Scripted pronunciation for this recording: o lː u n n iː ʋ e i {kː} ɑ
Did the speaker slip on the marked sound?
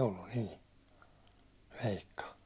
no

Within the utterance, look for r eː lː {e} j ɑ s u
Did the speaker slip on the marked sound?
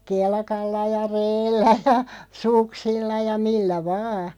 yes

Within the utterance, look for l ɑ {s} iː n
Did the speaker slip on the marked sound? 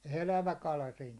no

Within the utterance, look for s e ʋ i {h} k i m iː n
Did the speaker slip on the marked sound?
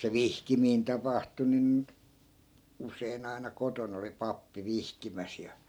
no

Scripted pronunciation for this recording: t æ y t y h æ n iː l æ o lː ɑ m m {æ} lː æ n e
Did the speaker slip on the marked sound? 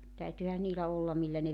yes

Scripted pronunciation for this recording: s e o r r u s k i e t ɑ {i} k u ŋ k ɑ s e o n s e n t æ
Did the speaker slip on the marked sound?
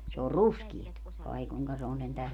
no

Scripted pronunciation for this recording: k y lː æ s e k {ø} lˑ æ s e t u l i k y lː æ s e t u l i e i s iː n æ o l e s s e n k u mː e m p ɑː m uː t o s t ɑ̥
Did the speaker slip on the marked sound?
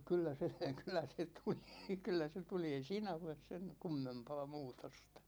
yes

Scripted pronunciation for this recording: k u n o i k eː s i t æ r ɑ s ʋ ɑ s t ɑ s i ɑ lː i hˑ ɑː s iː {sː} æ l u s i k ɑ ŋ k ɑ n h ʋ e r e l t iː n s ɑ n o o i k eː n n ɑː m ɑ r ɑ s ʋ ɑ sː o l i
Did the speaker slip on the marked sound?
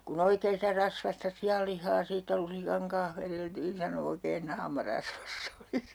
yes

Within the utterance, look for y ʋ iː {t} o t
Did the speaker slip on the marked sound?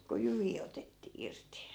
yes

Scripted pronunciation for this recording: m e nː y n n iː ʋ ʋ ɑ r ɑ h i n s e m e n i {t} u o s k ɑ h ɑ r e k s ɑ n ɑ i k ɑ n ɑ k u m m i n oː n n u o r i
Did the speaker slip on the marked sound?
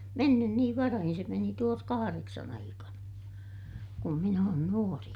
no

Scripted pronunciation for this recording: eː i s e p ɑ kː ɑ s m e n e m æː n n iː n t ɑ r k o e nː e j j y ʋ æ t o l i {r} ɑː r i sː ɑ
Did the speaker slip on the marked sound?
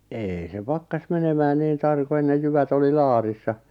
yes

